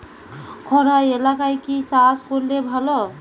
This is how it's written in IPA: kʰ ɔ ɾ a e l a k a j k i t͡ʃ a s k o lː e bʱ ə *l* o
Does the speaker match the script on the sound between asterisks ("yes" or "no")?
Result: yes